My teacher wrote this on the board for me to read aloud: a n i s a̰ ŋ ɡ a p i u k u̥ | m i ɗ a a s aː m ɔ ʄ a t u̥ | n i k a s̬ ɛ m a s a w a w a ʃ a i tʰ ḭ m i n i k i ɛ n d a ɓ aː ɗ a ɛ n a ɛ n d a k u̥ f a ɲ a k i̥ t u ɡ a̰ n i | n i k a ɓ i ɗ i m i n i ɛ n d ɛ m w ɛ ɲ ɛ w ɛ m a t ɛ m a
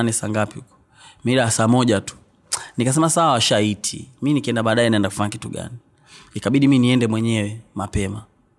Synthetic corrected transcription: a n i s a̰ ŋ ɡ a p i u k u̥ | m i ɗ a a s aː m ɔ ʄ a t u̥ | n i k a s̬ ɛ m a s a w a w a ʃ a i tʰ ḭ m i n i k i ɛ n d a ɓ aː ɗ a ɛ n a ɛ n d a k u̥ f a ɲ a k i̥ t u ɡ a̰ n i | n i k a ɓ i ɗ i m i n i ɛ n d ɛ m w ɛ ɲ ɛ w ɛ m a p ɛ m a